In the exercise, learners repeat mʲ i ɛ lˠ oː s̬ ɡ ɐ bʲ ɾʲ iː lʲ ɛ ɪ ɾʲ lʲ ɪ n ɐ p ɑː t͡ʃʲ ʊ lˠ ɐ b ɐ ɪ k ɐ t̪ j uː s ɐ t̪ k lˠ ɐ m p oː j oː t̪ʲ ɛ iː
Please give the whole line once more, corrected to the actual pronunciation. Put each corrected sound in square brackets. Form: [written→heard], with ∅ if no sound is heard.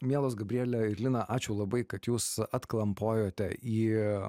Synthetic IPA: mʲ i ɛ lˠ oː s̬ ɡ ɐ bʲ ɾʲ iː lʲ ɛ ɪ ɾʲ lʲ ɪ n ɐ [p→ʔ] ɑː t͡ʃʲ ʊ lˠ ɐ b ɐ ɪ k ɐ t̪ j uː s ɐ t̪ k lˠ ɐ m p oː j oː t̪ʲ ɛ iː